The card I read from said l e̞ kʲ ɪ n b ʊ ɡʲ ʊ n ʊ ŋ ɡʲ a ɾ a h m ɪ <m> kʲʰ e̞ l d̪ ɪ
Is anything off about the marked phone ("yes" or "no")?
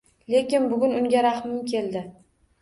no